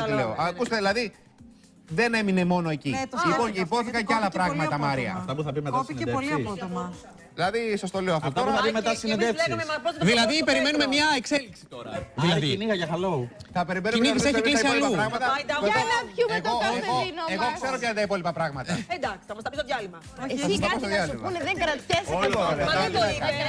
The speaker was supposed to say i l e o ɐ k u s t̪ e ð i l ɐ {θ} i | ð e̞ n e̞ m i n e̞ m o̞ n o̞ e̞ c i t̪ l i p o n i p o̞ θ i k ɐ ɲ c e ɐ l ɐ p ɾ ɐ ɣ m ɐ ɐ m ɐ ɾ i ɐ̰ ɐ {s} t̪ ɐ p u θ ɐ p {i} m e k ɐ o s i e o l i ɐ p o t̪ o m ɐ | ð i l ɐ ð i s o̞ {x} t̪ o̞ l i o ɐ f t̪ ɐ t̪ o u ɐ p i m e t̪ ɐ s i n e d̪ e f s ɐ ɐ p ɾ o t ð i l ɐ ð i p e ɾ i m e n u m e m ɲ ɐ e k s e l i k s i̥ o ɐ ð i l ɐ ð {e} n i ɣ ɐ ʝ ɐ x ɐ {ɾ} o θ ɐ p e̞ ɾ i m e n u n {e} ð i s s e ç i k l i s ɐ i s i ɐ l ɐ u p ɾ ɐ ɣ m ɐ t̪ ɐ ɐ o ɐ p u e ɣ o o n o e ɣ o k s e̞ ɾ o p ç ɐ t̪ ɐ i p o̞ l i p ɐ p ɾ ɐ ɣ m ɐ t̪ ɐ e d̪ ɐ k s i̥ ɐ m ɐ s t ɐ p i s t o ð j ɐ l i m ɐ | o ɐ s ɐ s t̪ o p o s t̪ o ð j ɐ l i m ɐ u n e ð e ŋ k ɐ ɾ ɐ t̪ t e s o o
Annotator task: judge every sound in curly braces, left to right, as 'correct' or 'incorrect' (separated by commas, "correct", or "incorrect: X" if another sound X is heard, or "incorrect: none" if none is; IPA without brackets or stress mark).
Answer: incorrect: ð, incorrect: f, correct, incorrect: s, incorrect: i, incorrect: l, incorrect: i